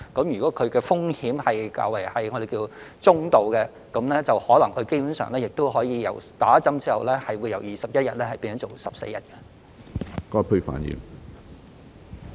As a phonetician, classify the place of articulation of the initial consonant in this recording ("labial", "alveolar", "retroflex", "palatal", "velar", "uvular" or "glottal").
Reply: velar